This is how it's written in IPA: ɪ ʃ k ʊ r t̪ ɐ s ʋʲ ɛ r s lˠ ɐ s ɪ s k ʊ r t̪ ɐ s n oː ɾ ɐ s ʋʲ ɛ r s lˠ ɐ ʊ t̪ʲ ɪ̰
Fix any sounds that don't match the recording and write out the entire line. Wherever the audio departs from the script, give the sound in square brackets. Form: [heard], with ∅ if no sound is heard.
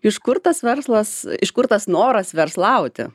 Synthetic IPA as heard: ɪ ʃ k ʊ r t̪ ɐ s ʋʲ ɛ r s lˠ ɐ s ɪ [ʃ] k ʊ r t̪ ɐ s n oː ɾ ɐ s ʋʲ ɛ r s lˠ ɐ ʊ t̪ʲ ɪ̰